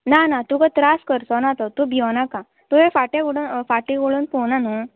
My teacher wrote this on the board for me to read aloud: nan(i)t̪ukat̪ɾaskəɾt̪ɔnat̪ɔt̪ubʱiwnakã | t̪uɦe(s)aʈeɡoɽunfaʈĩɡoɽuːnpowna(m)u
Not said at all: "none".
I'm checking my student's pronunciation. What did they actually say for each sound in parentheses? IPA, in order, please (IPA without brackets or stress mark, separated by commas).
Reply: a, f, n